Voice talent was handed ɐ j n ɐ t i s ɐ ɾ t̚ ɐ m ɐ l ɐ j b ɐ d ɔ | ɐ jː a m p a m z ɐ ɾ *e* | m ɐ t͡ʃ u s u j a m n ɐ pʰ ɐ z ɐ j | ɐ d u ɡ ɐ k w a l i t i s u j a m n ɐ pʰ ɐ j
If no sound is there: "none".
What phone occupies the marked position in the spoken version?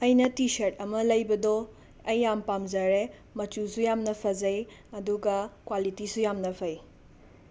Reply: e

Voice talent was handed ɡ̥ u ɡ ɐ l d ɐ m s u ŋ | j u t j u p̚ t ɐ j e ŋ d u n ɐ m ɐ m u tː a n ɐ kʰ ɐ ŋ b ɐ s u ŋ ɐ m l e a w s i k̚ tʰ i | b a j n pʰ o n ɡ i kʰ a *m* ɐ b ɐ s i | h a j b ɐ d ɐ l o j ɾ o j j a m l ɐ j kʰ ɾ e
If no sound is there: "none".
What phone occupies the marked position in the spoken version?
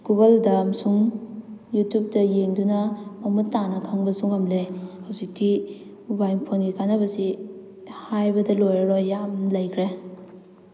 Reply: n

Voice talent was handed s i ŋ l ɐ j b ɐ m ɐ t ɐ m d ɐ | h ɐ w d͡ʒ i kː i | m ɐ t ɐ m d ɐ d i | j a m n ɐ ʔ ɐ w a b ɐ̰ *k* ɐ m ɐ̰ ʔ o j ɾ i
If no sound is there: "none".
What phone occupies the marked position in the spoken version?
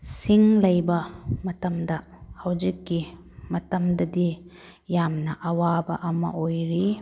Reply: ʔ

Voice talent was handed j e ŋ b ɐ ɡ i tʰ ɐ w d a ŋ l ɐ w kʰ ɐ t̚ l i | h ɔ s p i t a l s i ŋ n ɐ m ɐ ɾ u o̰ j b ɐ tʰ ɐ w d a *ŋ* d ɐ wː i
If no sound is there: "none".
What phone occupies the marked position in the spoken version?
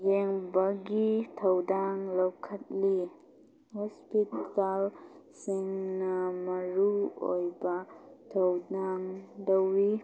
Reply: ŋ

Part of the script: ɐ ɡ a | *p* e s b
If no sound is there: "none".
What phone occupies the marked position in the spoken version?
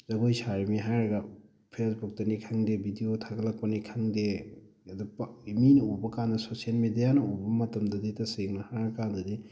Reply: pʰ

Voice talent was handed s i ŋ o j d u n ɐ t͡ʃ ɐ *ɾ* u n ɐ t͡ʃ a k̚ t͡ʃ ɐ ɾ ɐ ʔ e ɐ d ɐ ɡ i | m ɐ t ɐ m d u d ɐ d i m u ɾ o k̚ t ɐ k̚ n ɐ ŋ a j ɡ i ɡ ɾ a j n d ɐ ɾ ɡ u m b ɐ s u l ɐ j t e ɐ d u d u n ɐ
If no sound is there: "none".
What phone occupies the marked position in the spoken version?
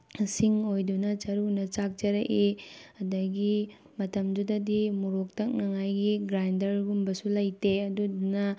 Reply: ɾ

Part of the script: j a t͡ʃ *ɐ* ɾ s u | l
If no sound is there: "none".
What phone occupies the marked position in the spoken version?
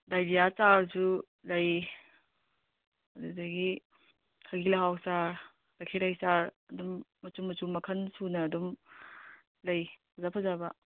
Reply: a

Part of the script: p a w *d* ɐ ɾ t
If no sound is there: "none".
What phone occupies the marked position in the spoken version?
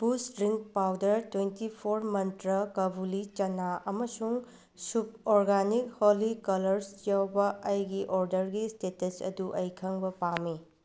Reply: d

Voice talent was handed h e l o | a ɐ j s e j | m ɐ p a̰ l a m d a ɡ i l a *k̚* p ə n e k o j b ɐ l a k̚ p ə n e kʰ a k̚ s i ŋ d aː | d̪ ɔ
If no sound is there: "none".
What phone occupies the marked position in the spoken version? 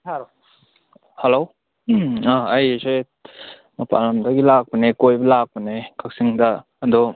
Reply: k̚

